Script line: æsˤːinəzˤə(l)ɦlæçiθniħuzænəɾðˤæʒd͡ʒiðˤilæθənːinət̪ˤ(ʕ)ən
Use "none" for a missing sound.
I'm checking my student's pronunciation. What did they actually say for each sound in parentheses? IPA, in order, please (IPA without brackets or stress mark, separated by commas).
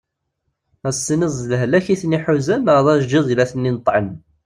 l, ʕ